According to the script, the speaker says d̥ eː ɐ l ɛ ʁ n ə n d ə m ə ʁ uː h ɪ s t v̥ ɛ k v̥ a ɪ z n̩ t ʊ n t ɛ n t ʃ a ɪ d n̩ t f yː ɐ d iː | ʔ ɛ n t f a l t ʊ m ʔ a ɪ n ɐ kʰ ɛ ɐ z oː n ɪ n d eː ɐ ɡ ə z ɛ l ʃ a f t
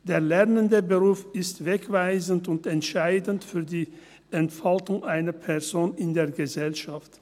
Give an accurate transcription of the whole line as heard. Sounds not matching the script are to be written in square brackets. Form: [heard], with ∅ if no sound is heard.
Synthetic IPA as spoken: d̥ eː ɐ l ɛ ʁ n ə n d ə [b] ə ʁ uː [f] ɪ s t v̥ ɛ k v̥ a ɪ z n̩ t ʊ n t ɛ n t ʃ a ɪ d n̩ t f yː ɐ d iː | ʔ ɛ n t f a l t ʊ [ŋ] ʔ a ɪ n ɐ [pʰ] ɛ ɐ z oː n ɪ n d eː ɐ ɡ ə z ɛ l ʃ a f t